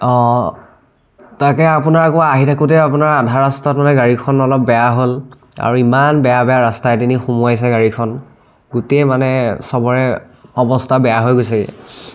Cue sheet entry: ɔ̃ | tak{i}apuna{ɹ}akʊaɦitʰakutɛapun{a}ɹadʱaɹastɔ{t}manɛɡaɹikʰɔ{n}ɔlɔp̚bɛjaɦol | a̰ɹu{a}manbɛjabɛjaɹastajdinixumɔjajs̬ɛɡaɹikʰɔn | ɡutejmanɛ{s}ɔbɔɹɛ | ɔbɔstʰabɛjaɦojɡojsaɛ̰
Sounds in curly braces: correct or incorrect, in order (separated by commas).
incorrect, correct, correct, correct, correct, incorrect, correct